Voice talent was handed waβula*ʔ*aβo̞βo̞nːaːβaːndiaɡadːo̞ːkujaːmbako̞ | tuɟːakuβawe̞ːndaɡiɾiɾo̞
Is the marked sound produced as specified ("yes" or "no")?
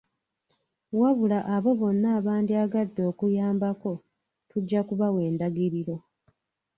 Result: yes